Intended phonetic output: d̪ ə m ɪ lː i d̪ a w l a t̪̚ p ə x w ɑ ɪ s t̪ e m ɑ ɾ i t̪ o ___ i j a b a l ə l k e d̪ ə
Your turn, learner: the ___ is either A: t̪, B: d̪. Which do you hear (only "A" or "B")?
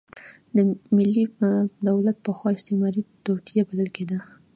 A